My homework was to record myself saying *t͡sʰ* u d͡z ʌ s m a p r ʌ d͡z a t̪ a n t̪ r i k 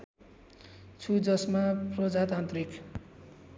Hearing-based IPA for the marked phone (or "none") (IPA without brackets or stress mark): t͡sʰ